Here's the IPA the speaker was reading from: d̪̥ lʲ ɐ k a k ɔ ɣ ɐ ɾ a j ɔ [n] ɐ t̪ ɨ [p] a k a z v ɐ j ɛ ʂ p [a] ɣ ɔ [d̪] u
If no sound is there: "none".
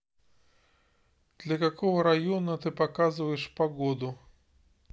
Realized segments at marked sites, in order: n, p, a, d̪

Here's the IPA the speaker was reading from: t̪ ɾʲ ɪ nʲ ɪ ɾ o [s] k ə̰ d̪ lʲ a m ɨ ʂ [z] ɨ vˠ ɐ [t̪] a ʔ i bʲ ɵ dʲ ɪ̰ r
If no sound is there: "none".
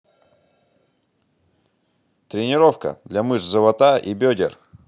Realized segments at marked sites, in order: f, z, t̪

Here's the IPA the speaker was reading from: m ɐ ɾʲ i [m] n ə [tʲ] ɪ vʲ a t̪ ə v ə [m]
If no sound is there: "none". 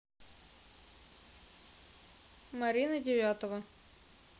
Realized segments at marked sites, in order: none, dʲ, none

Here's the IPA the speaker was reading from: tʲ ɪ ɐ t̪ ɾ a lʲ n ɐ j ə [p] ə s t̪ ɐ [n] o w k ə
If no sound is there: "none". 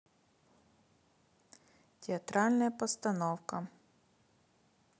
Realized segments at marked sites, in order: p, n

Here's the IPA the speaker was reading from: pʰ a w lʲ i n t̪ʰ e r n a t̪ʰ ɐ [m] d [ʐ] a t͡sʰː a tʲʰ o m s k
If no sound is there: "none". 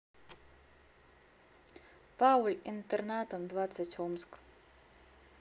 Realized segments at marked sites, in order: m, v

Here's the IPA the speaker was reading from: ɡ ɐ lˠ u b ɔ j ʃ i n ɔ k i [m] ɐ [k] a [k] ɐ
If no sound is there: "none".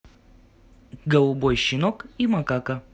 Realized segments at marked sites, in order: m, k, k

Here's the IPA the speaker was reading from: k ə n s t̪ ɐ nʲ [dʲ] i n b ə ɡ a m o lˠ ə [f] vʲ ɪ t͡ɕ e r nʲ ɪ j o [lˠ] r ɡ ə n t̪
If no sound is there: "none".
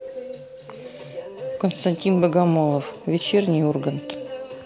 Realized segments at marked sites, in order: tʲ, f, none

